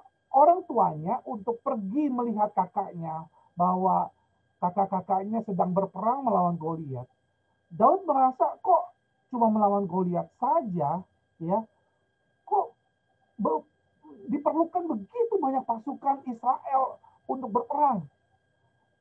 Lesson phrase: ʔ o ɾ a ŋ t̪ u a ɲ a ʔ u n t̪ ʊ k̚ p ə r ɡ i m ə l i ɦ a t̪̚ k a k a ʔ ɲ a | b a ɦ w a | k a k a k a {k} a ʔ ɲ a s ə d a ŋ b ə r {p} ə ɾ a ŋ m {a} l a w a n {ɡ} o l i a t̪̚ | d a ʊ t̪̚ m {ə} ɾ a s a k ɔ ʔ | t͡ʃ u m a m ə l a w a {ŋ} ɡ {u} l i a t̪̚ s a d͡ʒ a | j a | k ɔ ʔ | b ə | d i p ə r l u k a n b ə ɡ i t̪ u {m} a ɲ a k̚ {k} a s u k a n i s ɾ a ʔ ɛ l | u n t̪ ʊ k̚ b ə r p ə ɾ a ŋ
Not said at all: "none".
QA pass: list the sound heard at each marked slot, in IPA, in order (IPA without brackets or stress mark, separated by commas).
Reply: k, p, ə, ɡ, ə, n, o, b, p